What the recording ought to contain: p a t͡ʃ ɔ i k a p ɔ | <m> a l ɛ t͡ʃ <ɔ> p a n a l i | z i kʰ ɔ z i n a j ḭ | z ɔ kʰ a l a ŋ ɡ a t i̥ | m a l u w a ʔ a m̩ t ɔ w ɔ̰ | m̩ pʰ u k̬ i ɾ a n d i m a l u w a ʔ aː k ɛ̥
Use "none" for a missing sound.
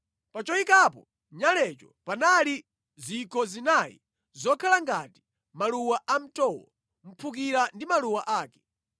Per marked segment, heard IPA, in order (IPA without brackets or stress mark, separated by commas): ɲ, ɔ